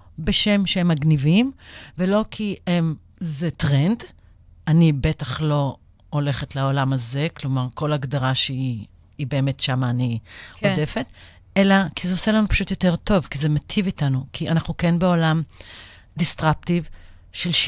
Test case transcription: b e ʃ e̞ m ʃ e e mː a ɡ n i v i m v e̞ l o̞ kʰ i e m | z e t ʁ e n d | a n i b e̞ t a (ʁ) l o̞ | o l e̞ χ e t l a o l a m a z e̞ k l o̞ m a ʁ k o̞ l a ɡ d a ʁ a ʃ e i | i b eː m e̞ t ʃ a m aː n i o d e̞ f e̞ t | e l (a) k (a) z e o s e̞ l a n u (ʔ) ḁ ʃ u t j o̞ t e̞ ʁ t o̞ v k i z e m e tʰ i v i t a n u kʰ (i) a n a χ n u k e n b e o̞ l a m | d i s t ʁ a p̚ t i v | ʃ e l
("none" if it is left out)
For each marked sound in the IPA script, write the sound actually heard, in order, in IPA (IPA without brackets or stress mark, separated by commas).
χ, a, i, p, i